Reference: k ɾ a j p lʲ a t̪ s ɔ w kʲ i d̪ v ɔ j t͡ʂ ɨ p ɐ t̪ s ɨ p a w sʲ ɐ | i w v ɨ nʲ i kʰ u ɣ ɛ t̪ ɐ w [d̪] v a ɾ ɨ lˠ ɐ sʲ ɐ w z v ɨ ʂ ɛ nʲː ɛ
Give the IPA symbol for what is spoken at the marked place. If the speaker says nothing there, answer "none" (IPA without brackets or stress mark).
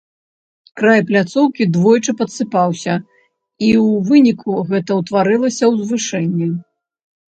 t̪